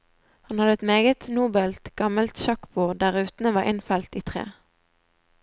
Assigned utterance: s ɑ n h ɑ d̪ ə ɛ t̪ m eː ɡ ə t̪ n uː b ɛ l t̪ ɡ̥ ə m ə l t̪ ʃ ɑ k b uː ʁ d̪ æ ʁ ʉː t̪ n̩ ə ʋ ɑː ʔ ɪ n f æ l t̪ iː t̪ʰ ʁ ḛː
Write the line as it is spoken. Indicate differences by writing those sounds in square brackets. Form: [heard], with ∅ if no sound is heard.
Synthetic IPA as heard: [h] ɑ n h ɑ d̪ ə ɛ t̪ m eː ɡ ə t̪ n uː b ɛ l t̪ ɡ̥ [ɑ] m ə l t̪ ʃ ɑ k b uː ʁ d̪ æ ʁ ʉː t̪ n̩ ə ʋ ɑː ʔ ɪ n f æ l t̪ iː t̪ʰ ʁ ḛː